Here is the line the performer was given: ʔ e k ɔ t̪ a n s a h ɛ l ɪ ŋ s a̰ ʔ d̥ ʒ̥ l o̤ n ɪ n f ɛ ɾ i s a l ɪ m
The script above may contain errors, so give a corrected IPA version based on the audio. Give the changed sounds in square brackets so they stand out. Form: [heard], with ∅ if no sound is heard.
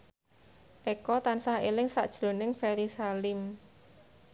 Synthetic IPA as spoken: ʔ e k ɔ t̪ a n s a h [e] l ɪ ŋ s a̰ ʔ d̥ ʒ̥ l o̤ n ɪ [ŋ] f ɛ ɾ i s a l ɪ m